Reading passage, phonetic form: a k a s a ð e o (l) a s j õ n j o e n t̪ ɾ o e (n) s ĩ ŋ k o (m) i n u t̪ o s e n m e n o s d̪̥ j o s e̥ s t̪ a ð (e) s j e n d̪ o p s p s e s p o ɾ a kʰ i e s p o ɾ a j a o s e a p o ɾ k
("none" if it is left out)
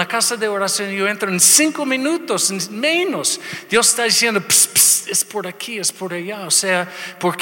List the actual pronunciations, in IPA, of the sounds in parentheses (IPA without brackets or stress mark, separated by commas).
ɾ, n, m, i